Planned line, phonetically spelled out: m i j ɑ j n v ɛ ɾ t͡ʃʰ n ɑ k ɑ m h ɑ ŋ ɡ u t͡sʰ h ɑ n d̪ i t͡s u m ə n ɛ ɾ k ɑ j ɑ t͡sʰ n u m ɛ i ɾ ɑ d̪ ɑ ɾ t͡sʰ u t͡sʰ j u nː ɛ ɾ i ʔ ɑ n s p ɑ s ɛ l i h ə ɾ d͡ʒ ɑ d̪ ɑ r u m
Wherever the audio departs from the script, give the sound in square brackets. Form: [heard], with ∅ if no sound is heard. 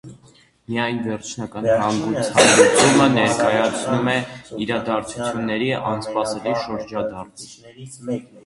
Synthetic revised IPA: m i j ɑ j n v ɛ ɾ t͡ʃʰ n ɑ k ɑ [n] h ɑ ŋ ɡ u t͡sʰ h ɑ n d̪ i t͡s u m ə n ɛ ɾ k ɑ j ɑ t͡sʰ n u m ɛ i ɾ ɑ d̪ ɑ ɾ t͡sʰ u t͡sʰ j u nː ɛ ɾ i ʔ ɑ n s p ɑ s ɛ l i [ʃ] ə ɾ d͡ʒ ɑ d̪ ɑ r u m